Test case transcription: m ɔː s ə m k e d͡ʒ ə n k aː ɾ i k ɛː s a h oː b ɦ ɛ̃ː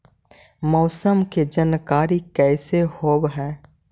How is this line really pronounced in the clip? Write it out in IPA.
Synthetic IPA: m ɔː s ə m k e d͡ʒ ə n k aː ɾ i k ɛː s e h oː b ɦ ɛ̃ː